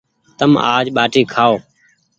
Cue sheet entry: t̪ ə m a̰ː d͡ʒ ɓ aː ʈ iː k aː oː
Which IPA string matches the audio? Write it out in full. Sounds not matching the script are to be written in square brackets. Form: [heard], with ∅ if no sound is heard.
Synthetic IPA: t̪ ə m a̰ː d͡ʒ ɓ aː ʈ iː [kʰ] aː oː